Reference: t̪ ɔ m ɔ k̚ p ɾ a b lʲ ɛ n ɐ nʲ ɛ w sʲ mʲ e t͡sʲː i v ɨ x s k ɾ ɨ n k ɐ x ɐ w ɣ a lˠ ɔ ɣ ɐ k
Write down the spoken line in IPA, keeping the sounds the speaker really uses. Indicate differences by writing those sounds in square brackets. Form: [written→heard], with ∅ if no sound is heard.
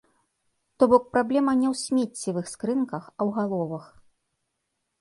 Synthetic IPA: t̪ ɔ [m→b] ɔ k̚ p ɾ a b lʲ ɛ [n→m] ɐ nʲ ɛ w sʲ mʲ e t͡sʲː i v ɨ x s k ɾ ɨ n k ɐ x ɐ w ɣ a lˠ ɔ [ɣ→v] ɐ [k→x]